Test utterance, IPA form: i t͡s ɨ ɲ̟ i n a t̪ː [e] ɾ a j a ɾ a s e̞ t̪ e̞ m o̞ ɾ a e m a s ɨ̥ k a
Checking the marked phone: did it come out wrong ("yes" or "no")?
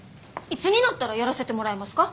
yes